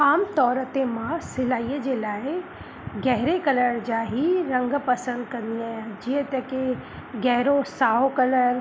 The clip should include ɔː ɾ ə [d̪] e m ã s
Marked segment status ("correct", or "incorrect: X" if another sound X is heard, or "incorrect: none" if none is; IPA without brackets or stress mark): incorrect: t̪